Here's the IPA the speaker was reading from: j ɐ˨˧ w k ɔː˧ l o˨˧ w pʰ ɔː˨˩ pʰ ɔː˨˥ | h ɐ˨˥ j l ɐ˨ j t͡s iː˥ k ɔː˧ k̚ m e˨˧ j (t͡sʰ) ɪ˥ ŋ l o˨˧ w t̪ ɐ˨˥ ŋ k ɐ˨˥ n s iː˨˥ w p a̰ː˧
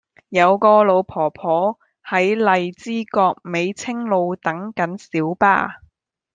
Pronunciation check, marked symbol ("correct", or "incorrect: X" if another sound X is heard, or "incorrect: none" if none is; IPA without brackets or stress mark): correct